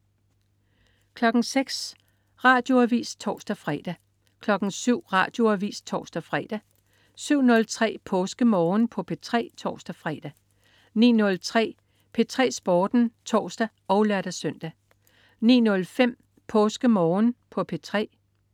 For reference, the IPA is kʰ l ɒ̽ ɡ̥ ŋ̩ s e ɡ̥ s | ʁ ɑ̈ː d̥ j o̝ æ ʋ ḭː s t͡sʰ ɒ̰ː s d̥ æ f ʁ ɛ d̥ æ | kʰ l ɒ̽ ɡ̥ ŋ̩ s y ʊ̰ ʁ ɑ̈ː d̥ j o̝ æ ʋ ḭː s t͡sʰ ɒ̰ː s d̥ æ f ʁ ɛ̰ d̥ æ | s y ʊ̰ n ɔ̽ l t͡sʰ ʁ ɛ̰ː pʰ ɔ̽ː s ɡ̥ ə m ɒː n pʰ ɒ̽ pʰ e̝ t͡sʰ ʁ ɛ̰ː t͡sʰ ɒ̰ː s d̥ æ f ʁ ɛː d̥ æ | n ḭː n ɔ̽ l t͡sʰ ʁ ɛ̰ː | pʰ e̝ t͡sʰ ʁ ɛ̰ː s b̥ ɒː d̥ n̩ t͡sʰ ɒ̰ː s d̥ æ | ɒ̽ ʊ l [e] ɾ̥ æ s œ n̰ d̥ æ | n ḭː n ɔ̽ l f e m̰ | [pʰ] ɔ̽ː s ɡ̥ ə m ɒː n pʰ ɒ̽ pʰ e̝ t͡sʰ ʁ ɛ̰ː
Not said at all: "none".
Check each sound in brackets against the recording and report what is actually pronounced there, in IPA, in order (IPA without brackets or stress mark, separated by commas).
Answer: æ, pʰ